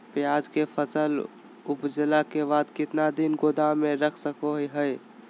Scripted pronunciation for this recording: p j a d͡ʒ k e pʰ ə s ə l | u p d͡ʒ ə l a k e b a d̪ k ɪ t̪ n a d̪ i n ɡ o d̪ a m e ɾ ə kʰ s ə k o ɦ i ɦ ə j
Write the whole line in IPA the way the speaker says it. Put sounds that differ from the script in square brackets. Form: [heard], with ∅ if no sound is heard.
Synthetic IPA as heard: p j a d͡ʒ k e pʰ ə s ə l | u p d͡ʒ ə l a k e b a d̪ k ɪ t̪ n a d̪ i n ɡ o d̪ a m e ɾ ə kʰ s ə k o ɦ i ɦ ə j